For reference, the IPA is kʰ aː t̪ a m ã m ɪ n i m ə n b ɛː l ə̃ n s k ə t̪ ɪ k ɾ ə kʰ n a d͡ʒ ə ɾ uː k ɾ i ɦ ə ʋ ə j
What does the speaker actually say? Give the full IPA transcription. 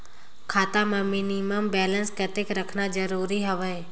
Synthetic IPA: kʰ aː t̪ a m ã m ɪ n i m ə m b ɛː l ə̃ n s k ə t̪ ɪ k ɾ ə kʰ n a d͡ʒ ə ɾ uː ɾ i ɦ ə ʋ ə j